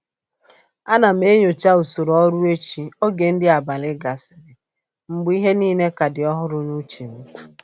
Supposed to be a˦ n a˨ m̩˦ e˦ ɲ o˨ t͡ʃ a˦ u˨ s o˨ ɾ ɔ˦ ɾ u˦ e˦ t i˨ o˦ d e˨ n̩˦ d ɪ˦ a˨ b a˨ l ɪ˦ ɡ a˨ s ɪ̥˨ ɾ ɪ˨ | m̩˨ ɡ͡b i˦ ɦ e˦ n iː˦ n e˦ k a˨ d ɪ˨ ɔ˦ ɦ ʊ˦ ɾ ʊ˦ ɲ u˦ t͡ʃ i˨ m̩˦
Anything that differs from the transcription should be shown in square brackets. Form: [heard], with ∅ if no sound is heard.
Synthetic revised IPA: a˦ n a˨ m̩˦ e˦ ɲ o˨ t͡ʃ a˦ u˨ s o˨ ɾ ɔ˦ ɾ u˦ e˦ [t͡ʃ] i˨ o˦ [ɡ] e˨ n̩˦ d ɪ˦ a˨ b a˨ l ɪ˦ ɡ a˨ s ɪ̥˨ ɾ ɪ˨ | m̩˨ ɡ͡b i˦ ɦ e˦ n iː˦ n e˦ k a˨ d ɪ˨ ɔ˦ ɦ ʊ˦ ɾ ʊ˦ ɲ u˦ t͡ʃ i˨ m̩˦